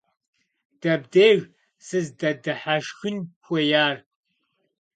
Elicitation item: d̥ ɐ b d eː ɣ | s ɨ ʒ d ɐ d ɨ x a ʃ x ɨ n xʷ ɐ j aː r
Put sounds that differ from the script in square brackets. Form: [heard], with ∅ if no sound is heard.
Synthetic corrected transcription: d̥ ɐ b d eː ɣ | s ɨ [z] d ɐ d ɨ [ħ] a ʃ x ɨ n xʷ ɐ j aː r